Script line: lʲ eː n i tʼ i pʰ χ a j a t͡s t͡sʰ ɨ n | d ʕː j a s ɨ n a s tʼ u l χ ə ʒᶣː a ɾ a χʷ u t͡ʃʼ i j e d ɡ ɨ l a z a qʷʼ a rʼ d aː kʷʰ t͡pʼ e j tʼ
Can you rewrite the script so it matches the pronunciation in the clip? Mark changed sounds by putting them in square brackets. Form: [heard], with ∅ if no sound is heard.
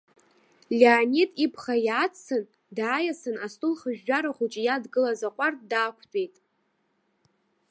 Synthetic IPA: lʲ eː n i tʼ i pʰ χ a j a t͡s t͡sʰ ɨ n | d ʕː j a s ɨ n a s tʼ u l χ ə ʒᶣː a ɾ a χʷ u t͡ʃʼ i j [a] d ɡ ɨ l a z a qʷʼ a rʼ d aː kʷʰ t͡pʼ e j tʼ